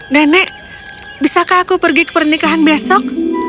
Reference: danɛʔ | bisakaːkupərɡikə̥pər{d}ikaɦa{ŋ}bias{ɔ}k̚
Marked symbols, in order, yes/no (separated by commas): no, no, yes